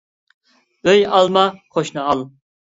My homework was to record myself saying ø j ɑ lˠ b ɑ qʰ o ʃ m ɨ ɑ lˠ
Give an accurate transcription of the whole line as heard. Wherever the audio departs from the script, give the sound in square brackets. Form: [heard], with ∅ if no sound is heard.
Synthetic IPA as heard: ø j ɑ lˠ [m] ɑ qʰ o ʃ [n] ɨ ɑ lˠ